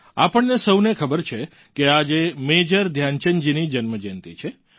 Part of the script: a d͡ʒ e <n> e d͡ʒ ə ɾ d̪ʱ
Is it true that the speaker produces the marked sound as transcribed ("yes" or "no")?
no